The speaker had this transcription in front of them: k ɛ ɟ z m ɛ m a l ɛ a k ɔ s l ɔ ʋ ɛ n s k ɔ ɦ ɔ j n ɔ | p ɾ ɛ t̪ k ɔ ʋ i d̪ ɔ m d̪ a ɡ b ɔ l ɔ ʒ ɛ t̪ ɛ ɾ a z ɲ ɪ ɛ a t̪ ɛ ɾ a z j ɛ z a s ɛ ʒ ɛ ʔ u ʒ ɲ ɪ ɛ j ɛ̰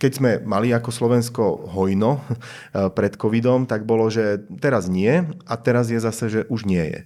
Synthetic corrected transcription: k ɛ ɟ z m ɛ m a l i a k ɔ s l ɔ ʋ ɛ n s k ɔ ɦ ɔ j n ɔ | p ɾ ɛ t̪ k ɔ ʋ i d̪ ɔ m t̪ a ɡ b ɔ l ɔ ʒ ɛ t̪ ɛ ɾ a z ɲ ɪ ɛ a t̪ ɛ ɾ a z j ɛ z a s ɛ ʒ ɛ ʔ u ʒ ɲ ɪ ɛ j ɛ̰